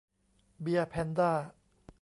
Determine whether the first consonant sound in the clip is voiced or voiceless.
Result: voiced